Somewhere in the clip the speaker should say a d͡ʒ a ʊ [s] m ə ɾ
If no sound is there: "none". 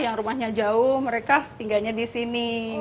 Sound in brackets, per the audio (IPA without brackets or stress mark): h